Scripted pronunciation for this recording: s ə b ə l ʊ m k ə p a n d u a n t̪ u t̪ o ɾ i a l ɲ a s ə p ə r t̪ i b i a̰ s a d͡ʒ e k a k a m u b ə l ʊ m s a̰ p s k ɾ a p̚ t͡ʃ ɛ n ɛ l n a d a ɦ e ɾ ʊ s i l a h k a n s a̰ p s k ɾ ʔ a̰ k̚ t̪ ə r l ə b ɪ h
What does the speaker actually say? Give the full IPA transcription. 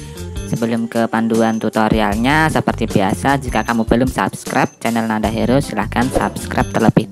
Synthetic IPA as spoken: s ə b ə l ʊ m k ə p a n d u a n t̪ u t̪ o ɾ i a l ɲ a s ə p ə r t̪ i b i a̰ s a d͡ʒ i k a k a m u b ə l ʊ m s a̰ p s k ɾ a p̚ t͡ʃ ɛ n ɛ l n a d a ɦ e ɾ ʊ s i l a h k a n s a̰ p s k ɾ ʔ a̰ p̚ t̪ ə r l ə b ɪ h